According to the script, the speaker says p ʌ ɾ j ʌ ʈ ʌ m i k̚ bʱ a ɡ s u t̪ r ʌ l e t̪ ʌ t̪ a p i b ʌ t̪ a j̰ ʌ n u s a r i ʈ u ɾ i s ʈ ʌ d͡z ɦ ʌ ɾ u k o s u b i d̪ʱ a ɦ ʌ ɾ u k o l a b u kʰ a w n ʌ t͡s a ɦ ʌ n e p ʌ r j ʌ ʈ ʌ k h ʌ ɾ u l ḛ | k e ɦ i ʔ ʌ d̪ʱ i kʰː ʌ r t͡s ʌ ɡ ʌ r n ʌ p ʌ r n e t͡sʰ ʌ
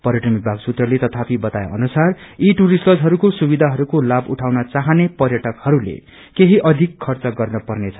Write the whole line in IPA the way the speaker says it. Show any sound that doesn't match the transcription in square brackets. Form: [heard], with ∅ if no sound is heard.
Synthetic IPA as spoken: p ʌ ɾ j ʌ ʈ ʌ m i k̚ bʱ a ɡ s u t̪ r ʌ l e t̪ ʌ [t̪ʰ] a p i b ʌ t̪ a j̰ ʌ n u s a r i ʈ u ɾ i s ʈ ʌ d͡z ɦ ʌ ɾ u k o s u b i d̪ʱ a ɦ ʌ ɾ u k o l a b u [ʈʰ] a w n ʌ t͡s a ɦ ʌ n e p ʌ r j ʌ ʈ ʌ k h ʌ ɾ u l ḛ | k e ɦ i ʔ ʌ d̪ʱ i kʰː ʌ r t͡s ʌ ɡ ʌ r n ʌ p ʌ r n e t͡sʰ ʌ